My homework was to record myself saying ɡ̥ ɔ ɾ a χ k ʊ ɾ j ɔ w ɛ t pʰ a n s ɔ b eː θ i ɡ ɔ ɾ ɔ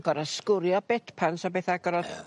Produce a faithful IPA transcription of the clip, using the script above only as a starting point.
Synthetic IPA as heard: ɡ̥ ɔ ɾ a s k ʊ ɾ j ɔ b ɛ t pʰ a n s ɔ b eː θ a ɡ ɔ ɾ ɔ